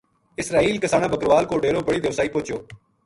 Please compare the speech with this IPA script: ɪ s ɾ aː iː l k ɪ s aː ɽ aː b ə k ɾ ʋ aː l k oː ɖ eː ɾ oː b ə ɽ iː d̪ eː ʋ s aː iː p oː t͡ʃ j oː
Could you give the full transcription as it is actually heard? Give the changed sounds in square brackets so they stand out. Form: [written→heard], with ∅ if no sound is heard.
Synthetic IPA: ɪ s ɾ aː iː l k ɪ s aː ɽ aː b ə k ɾ ʋ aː l k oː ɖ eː ɾ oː b ə ɽ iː d̪ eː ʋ s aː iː p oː t͡ʃ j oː